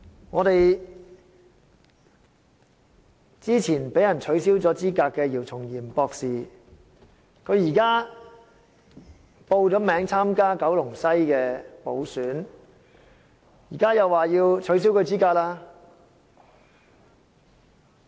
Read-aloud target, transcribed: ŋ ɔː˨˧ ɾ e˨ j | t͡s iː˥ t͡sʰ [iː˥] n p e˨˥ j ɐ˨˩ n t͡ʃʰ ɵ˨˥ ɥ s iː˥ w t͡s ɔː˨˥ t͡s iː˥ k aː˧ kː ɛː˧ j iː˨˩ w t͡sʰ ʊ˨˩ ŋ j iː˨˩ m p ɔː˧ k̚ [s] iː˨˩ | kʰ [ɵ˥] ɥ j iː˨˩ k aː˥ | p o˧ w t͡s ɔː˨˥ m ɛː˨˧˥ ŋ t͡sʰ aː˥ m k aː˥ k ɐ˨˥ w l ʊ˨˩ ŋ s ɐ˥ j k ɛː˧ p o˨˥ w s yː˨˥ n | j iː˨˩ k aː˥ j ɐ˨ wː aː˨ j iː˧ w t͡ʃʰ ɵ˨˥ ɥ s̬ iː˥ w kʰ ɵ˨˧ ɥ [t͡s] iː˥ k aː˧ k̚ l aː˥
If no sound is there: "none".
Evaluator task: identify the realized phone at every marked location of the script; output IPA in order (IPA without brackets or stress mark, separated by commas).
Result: iː˨˩, s, ɵ˨˧, t͡s